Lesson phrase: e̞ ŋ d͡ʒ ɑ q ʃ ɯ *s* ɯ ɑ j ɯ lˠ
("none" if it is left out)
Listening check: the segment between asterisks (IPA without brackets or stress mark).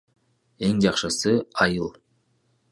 s